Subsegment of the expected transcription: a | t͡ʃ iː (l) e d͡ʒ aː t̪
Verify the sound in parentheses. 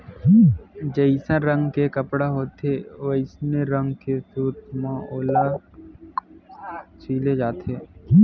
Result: correct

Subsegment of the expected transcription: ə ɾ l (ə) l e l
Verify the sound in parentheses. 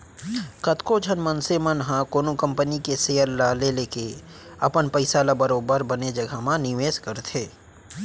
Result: incorrect: a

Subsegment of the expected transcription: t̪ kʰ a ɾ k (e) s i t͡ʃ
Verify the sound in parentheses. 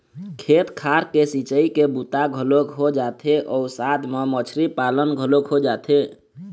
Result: correct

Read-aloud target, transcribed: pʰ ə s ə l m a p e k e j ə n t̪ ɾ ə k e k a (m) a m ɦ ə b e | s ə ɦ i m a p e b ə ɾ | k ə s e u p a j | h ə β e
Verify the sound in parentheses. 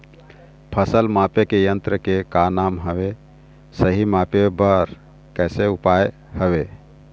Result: incorrect: n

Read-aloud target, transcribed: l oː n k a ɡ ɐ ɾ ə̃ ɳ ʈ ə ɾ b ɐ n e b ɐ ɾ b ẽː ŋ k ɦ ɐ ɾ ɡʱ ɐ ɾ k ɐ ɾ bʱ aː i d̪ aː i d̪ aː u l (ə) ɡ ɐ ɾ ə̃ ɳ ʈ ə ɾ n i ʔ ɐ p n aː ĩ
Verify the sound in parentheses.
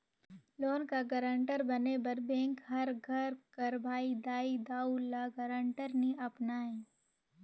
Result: incorrect: a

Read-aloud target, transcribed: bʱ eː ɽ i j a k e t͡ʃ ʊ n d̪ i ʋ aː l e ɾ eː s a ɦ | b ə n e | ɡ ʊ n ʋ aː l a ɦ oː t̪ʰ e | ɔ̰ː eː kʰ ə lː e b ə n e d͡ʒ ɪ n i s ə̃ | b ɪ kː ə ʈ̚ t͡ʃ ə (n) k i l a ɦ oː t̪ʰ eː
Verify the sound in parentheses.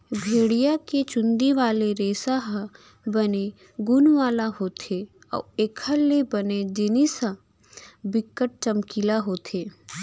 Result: incorrect: m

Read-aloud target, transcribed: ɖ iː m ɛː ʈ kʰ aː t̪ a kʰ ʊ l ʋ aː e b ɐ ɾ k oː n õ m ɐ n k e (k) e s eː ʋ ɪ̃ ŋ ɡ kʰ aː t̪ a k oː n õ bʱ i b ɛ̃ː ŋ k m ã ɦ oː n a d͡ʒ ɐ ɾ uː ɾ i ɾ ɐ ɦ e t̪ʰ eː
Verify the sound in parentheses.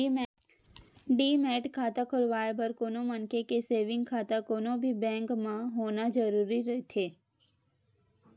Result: correct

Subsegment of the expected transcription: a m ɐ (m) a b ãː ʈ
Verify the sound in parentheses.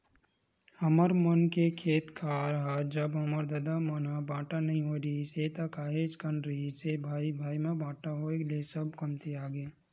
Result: incorrect: n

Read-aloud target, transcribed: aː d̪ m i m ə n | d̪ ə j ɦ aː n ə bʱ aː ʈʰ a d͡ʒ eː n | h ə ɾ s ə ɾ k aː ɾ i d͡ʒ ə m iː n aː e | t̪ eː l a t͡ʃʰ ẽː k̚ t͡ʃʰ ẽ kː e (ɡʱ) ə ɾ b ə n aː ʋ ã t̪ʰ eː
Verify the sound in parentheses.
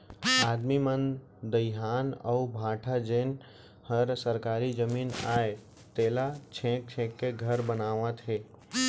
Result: correct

